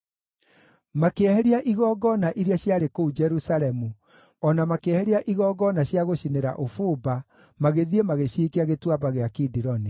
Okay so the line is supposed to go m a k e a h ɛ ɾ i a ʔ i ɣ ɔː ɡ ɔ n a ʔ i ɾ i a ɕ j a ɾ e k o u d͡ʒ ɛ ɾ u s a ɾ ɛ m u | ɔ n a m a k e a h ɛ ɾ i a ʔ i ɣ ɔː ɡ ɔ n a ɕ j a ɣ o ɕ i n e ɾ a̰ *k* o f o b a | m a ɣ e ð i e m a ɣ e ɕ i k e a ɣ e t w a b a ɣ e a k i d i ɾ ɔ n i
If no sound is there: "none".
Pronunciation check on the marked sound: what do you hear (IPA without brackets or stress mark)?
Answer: ʔ